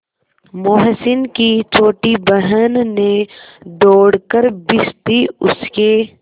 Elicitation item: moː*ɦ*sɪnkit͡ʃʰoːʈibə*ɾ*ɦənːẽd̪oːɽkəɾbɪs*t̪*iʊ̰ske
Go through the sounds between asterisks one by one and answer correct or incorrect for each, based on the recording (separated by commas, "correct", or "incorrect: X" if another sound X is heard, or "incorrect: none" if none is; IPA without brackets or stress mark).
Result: correct, incorrect: none, correct